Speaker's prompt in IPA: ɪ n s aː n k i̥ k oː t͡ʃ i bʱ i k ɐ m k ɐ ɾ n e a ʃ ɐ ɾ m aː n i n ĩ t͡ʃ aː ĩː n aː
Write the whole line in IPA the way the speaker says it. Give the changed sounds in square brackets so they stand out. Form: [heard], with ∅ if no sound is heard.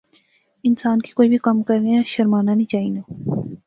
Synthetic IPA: ɪ n s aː n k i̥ k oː [∅] i bʱ i k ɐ m k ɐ ɾ n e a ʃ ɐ ɾ m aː n [a] n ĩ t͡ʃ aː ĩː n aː

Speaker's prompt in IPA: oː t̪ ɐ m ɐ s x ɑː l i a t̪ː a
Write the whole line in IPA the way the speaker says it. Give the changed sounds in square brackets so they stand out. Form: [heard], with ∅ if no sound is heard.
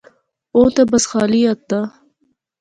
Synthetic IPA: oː t̪ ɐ [b] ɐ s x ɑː l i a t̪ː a

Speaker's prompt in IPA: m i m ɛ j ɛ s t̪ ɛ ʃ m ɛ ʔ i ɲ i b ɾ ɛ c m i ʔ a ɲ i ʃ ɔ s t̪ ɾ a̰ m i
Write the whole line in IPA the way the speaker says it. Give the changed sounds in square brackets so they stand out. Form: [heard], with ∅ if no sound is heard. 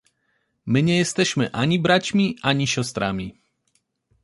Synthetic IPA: m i [ɲ] ɛ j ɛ s t̪ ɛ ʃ m ɛ ʔ [a] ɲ i b ɾ [a] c m i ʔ a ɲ i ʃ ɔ s t̪ ɾ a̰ m i

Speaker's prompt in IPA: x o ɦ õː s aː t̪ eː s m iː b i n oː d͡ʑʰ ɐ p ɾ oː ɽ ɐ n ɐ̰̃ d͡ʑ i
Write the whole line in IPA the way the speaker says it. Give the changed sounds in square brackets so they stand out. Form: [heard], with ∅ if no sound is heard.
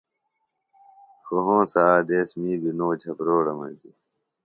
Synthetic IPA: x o ɦ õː s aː [d̪] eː s m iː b i n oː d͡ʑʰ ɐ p ɾ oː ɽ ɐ [m] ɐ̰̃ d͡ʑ i

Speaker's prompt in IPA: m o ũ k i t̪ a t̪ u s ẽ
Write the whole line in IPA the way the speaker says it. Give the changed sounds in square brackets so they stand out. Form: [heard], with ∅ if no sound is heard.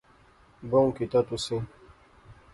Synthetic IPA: [b] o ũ k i t̪ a t̪ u s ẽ

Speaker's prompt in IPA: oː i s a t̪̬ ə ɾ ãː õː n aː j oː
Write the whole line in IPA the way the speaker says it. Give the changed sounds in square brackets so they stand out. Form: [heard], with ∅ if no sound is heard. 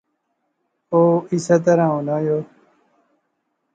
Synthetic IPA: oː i s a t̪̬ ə ɾ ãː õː n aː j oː

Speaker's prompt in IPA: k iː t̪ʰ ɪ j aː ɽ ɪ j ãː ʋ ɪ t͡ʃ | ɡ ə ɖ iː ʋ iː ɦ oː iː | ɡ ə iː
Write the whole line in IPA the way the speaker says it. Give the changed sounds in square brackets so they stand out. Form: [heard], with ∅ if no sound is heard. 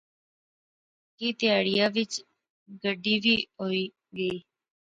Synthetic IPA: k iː [t̪] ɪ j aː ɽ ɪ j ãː ʋ ɪ t͡ʃ | ɡ ə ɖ iː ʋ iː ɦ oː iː | ɡ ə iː

